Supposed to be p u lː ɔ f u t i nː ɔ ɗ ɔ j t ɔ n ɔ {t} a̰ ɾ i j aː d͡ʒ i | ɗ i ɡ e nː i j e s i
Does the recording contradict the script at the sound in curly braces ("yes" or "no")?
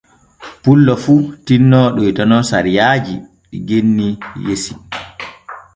yes